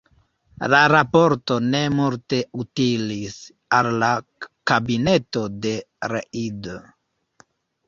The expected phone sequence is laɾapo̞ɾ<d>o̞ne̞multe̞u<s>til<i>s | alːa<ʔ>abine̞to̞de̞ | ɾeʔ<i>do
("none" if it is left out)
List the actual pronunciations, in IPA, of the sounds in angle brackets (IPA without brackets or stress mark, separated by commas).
t, none, i, k, i